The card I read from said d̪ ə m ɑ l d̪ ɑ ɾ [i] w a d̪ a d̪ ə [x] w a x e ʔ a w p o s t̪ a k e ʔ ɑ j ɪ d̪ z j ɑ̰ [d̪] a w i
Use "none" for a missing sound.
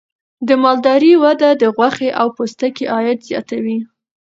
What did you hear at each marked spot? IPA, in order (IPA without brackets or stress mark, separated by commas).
i, ɣ, t̪